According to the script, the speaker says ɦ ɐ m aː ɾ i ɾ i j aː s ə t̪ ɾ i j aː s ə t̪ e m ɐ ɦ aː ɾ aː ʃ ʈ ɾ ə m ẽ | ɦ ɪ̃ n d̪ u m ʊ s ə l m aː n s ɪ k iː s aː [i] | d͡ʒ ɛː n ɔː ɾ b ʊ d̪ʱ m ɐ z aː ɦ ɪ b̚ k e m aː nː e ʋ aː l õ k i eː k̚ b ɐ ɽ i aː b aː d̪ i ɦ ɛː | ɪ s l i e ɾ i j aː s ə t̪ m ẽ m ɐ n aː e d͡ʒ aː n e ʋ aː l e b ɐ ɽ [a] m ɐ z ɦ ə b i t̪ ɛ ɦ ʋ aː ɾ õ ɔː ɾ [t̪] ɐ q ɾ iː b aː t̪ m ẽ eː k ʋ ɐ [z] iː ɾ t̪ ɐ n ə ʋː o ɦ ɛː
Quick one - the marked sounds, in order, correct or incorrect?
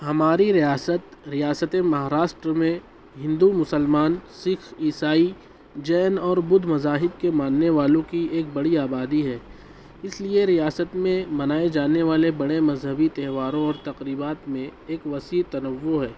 correct, incorrect: e, correct, incorrect: s

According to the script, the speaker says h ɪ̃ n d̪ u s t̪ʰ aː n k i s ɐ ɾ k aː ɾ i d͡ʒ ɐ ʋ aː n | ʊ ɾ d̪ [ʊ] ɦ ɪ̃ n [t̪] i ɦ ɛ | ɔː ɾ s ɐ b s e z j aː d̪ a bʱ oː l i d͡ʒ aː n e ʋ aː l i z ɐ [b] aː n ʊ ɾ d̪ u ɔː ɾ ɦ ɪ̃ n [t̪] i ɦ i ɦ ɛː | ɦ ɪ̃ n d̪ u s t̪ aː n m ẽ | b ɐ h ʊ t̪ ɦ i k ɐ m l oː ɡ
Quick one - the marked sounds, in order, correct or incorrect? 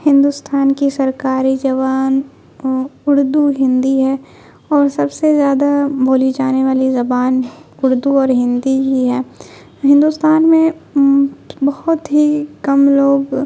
incorrect: u, incorrect: d̪, correct, incorrect: d̪

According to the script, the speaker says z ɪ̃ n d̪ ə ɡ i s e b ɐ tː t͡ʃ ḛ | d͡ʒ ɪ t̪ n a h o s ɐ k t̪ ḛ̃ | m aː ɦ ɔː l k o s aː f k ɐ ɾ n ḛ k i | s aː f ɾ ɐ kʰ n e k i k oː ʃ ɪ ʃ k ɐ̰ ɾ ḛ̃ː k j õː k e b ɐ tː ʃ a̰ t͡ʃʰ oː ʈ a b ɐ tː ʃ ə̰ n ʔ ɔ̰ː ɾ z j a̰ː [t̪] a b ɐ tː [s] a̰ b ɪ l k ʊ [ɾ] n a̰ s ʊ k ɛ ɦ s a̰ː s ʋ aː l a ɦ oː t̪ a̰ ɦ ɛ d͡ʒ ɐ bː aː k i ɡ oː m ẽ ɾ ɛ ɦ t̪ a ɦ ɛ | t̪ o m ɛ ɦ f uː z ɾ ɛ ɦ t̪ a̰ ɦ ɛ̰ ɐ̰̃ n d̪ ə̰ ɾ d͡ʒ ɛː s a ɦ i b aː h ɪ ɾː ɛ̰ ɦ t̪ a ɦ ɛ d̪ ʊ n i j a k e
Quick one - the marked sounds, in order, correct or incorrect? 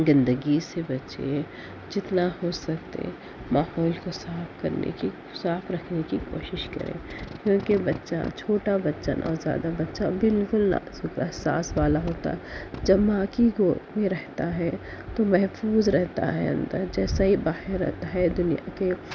incorrect: d̪, incorrect: ʃ, incorrect: l

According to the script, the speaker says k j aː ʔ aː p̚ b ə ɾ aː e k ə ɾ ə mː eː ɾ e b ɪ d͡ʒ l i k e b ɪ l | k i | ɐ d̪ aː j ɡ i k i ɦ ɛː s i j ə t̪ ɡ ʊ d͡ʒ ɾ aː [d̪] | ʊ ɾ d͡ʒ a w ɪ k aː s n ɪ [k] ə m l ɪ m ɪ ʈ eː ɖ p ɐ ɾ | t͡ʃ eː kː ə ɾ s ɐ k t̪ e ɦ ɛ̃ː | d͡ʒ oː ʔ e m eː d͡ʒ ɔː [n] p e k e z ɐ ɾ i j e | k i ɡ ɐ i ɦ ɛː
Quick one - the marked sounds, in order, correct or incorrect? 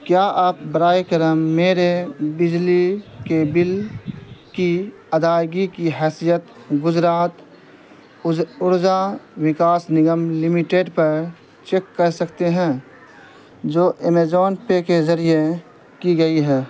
incorrect: t̪, incorrect: ɡ, correct

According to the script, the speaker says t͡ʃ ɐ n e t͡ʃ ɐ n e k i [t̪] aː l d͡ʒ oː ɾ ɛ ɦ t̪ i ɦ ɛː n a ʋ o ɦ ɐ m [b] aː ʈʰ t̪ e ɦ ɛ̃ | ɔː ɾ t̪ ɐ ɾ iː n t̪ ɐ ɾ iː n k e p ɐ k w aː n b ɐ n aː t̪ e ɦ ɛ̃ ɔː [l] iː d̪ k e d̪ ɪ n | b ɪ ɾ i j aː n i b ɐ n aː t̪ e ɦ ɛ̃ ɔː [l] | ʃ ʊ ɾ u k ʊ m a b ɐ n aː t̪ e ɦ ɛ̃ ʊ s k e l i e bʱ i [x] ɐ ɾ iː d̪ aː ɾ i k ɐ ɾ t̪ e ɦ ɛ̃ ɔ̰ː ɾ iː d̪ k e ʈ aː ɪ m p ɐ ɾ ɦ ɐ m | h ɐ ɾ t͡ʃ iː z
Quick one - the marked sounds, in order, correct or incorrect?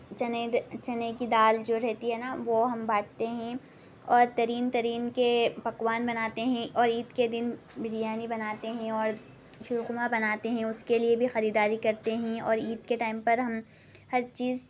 incorrect: d̪, correct, incorrect: ɾ, incorrect: ɾ, correct

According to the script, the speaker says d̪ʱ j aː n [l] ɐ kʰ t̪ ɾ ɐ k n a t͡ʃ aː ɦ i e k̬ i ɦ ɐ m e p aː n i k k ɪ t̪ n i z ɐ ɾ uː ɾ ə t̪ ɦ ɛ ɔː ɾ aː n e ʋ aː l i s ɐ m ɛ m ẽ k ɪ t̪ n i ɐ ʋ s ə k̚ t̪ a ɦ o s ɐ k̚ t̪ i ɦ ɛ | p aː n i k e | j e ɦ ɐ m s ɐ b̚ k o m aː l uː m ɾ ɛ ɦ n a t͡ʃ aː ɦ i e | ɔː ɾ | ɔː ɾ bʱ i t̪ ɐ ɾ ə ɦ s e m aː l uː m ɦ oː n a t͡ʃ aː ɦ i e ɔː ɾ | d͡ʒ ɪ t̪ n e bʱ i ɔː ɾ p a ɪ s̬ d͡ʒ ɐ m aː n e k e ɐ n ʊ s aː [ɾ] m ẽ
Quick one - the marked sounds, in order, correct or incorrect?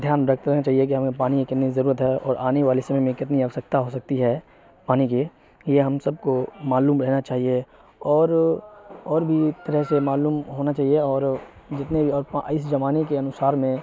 incorrect: ɾ, correct

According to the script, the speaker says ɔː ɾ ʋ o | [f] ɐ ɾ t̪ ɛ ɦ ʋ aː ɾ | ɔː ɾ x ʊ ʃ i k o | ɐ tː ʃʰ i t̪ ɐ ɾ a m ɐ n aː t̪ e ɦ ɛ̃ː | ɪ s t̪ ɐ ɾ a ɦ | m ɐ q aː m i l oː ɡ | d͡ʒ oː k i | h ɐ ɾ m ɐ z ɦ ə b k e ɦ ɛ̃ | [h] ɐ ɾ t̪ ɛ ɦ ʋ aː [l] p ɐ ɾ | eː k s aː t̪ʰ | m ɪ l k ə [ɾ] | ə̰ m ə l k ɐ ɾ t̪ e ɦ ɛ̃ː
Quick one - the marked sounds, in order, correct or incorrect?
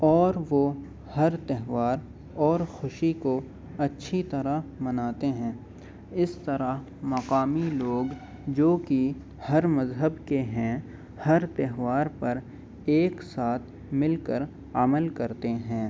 incorrect: h, correct, incorrect: ɾ, correct

